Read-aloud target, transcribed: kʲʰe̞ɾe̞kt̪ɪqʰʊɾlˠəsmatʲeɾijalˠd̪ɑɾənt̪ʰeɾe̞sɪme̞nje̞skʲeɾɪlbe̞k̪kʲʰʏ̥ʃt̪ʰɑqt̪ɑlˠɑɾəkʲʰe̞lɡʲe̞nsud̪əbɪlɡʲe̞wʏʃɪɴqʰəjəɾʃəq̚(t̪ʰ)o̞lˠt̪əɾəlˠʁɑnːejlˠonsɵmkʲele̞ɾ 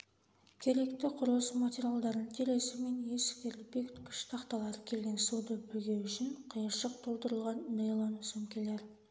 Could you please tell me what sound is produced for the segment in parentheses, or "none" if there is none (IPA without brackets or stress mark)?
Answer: t̪ʰ